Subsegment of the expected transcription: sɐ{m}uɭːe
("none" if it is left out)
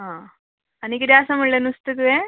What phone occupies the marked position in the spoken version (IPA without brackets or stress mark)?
m